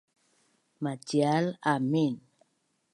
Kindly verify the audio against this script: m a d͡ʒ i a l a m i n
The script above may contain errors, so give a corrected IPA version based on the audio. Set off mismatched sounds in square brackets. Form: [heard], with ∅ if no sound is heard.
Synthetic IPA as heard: m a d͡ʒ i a l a m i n